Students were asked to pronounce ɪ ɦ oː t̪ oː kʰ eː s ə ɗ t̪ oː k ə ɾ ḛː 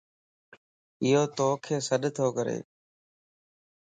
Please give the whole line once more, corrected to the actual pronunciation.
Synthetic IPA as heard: ɪ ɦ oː t̪ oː kʰ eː s ə ɗ t̪ʰ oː k ə ɾ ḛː